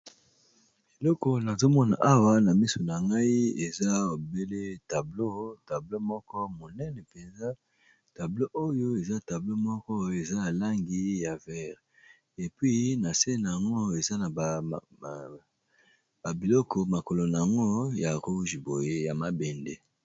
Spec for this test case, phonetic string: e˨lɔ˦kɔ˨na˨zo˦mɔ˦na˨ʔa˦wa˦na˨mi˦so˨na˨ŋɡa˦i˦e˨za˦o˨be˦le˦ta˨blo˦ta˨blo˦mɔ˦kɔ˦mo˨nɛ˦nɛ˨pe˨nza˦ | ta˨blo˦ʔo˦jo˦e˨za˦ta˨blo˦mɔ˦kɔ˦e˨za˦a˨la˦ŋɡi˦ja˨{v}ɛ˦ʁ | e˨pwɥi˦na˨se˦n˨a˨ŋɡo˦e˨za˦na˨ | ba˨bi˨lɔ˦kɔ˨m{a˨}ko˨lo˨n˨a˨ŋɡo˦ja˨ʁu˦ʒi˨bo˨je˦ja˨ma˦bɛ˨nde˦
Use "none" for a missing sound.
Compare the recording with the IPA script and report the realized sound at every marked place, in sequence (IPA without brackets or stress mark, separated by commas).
v, a˨